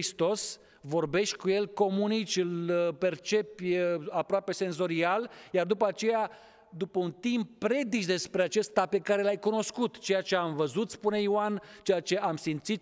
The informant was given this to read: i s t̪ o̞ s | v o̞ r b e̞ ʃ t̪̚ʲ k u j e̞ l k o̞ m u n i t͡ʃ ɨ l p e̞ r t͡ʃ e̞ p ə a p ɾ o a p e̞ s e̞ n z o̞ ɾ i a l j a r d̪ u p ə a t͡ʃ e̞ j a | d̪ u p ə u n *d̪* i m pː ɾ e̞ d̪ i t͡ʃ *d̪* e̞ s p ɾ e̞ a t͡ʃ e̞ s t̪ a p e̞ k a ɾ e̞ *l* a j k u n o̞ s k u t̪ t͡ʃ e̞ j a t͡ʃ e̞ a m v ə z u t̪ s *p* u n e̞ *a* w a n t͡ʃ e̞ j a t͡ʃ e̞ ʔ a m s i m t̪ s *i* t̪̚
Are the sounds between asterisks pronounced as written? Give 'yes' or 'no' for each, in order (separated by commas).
no, yes, yes, yes, no, yes